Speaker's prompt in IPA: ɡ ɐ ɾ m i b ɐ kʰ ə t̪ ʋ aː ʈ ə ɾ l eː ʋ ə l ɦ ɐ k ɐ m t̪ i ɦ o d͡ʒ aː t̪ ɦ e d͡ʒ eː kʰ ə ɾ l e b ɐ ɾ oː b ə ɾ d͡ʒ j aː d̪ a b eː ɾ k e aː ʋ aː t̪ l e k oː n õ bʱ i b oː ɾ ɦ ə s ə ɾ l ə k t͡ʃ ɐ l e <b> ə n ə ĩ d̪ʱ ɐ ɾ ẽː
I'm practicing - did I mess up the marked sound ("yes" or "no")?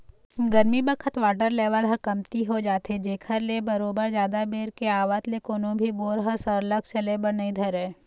no